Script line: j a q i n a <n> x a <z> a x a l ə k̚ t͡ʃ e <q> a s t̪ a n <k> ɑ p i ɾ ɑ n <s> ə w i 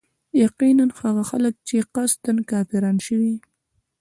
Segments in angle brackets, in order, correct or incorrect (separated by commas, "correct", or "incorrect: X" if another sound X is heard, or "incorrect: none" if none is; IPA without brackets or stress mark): correct, incorrect: ɣ, correct, correct, incorrect: ʃ